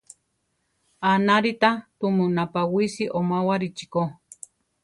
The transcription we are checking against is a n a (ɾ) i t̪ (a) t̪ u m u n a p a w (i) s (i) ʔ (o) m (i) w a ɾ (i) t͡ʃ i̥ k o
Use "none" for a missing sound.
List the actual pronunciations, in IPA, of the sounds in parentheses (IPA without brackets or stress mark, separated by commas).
ɾ, a, i, i, o, a, i